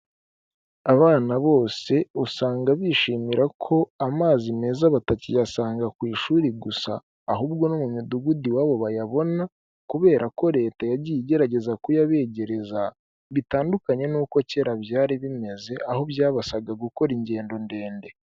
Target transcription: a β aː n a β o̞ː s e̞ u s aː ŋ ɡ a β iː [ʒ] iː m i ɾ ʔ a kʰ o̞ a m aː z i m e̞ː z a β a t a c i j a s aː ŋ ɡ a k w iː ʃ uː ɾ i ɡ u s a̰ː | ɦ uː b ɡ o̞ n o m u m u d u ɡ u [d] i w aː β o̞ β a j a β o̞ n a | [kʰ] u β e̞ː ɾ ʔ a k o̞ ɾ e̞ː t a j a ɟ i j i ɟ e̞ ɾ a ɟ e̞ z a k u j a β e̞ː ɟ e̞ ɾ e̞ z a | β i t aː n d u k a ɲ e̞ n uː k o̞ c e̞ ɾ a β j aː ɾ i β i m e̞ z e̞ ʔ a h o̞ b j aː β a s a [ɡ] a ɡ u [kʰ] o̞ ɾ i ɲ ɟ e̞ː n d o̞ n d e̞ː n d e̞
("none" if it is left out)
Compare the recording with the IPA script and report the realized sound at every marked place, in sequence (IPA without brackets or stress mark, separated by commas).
ʃ, d, k, ɡ, k